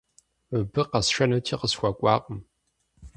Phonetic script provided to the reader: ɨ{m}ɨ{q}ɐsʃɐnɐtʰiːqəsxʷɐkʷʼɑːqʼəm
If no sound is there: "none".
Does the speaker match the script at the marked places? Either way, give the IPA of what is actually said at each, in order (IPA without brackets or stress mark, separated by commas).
b, q